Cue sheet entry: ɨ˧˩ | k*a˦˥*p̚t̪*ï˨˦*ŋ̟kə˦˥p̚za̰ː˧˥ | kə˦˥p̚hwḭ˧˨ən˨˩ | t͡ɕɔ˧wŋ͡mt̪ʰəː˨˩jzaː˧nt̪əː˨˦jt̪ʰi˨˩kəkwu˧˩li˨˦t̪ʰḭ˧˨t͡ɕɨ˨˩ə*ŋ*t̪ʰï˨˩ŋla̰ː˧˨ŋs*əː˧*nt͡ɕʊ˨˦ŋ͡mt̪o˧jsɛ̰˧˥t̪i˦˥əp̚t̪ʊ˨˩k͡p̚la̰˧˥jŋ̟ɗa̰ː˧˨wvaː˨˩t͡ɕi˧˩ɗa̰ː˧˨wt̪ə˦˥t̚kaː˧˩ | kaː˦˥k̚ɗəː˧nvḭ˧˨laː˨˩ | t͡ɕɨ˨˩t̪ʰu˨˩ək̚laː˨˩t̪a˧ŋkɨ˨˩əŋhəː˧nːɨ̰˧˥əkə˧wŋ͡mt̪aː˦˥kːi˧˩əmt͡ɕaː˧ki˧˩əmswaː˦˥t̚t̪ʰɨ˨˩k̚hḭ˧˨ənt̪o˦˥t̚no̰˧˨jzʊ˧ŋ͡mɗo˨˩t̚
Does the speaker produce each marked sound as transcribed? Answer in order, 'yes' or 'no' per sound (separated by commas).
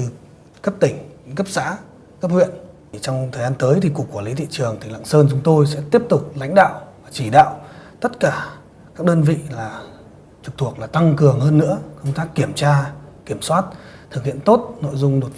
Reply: no, no, yes, yes